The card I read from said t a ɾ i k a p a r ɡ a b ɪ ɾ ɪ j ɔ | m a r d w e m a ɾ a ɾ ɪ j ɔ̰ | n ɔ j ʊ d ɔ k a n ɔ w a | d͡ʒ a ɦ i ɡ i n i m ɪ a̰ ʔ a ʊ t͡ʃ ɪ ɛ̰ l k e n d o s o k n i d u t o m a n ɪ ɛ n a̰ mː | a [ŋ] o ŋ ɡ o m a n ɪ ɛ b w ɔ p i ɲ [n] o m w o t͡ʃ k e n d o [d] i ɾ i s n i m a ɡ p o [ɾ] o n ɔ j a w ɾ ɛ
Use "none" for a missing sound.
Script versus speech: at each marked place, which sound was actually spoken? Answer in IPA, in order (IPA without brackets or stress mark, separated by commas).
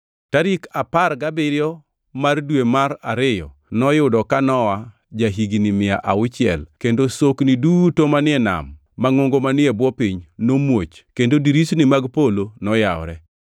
ŋ, n, d, l